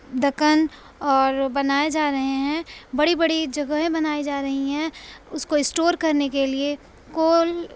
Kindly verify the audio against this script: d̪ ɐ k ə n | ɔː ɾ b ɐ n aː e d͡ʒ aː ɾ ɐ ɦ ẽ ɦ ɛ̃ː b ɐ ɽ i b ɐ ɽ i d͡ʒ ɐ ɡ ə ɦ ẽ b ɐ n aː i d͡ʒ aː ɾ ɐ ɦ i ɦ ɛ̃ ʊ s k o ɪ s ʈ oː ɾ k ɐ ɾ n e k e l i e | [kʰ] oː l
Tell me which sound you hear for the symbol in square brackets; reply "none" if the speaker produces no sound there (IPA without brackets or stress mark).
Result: k